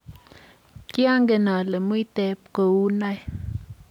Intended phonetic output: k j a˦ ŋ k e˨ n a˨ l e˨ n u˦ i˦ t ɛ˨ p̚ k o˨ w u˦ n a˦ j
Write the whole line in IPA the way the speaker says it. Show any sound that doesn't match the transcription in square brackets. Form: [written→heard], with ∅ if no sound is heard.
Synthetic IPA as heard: k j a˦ ŋ [k→ɡ] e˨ n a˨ l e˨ [n→m] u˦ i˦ t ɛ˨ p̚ k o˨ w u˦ n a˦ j